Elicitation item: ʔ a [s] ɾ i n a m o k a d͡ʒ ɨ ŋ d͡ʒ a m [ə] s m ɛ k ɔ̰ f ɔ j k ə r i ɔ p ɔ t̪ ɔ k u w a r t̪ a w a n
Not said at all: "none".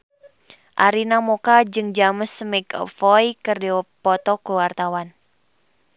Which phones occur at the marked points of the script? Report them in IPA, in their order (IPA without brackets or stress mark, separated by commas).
none, ə